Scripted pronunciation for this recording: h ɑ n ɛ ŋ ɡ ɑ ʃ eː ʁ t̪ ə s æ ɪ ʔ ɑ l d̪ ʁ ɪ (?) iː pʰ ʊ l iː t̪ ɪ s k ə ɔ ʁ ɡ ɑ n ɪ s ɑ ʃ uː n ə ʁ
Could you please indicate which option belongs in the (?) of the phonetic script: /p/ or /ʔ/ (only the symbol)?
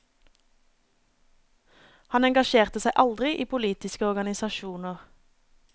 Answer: ʔ